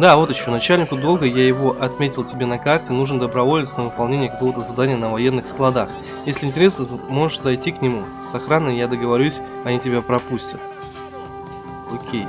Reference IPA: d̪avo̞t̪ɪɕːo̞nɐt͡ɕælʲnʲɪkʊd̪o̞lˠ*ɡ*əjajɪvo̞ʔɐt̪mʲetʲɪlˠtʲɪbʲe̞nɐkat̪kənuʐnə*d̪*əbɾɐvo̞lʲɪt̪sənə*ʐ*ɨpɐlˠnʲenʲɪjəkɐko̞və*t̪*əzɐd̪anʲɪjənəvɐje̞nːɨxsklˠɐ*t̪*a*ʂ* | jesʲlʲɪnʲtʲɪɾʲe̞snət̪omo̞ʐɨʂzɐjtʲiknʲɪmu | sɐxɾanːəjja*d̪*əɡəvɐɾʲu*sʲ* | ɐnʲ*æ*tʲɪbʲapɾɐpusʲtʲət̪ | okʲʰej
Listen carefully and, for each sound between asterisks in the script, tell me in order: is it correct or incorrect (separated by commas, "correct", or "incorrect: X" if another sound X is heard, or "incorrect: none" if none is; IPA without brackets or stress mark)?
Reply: correct, correct, incorrect: v, correct, incorrect: d̪, incorrect: x, correct, correct, incorrect: i